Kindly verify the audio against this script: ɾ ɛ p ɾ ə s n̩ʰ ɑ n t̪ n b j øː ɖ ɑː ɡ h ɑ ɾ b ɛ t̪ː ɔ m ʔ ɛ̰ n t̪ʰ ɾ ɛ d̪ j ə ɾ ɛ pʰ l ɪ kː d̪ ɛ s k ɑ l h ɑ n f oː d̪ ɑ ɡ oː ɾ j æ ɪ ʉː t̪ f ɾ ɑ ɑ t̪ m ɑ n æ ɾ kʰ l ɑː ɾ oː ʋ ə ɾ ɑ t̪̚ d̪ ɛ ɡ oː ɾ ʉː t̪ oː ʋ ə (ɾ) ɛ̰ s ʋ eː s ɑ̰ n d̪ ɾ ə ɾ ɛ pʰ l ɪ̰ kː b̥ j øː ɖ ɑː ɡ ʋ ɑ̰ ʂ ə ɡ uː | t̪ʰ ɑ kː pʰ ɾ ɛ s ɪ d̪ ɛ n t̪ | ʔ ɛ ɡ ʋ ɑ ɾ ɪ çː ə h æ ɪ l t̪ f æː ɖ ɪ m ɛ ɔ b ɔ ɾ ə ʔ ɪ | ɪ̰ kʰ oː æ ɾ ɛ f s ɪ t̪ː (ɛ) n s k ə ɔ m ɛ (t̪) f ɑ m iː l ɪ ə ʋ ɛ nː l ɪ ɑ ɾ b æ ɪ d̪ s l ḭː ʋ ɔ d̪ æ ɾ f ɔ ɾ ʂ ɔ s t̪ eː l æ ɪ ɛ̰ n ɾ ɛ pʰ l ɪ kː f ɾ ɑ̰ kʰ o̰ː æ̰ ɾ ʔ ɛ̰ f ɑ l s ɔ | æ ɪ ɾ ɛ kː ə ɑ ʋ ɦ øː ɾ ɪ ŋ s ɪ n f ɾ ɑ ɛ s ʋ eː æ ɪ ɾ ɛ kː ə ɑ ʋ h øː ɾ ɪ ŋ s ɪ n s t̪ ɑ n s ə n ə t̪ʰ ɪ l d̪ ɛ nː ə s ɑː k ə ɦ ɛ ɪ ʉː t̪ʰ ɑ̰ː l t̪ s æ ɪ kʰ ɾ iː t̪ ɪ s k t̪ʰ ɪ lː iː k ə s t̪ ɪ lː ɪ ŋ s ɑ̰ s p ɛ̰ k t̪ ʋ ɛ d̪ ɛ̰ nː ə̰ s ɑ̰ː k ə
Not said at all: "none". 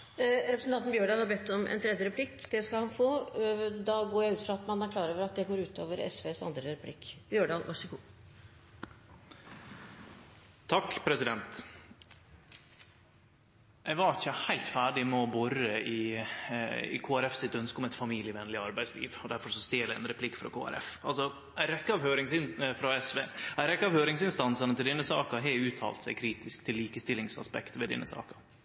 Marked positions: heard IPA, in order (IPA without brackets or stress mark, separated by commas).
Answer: ɾ, œ, t̪